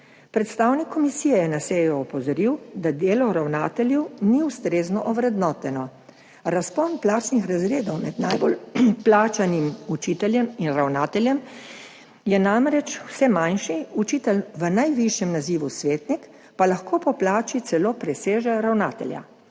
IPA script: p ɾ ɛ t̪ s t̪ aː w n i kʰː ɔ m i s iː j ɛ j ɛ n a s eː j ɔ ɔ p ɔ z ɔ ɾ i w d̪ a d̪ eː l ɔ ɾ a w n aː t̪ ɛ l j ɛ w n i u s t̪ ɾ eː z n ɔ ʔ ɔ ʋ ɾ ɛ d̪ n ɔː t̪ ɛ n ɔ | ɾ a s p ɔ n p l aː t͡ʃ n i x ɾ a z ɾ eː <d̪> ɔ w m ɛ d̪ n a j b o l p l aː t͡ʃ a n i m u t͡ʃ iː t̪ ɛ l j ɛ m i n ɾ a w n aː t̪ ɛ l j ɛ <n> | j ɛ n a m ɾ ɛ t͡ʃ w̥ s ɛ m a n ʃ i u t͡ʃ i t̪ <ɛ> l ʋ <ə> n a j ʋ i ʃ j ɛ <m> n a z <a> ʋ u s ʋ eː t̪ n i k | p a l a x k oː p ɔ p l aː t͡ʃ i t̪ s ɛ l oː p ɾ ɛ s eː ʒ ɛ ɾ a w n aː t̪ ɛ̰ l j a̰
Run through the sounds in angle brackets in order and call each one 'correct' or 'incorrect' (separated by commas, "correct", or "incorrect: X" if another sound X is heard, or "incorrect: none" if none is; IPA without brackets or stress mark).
correct, incorrect: m, correct, correct, correct, incorrect: i